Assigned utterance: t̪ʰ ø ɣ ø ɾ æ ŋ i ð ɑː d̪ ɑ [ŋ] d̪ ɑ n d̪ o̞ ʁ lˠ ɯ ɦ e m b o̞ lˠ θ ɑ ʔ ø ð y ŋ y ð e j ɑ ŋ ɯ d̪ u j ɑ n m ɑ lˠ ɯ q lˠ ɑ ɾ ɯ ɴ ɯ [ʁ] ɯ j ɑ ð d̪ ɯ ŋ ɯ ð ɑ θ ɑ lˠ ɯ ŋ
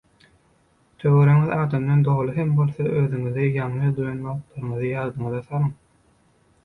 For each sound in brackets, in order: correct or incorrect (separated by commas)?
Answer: incorrect, incorrect